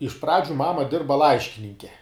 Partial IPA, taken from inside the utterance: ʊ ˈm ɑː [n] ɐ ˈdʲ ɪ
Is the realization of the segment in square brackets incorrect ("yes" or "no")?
yes